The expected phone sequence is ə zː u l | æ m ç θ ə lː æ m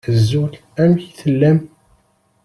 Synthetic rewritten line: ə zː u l | æ m ç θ ə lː æ m

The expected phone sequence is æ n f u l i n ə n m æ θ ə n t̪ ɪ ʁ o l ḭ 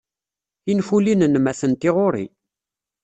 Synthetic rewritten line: i n f u l i n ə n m æ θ ə n t̪ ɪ ʁ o ɾ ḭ

